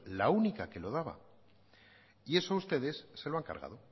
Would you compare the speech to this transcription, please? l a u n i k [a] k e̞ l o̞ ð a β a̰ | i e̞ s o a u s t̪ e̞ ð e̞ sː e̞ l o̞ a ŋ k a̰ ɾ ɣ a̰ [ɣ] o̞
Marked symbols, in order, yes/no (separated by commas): yes, no